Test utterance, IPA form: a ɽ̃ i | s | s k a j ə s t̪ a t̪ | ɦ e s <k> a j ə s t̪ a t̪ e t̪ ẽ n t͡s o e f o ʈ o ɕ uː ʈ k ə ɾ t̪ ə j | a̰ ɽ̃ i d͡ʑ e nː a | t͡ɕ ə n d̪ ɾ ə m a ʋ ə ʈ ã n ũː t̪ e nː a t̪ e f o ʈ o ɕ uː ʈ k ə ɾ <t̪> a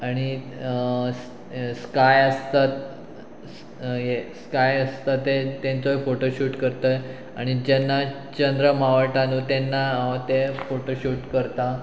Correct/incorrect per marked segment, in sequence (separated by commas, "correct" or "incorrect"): correct, correct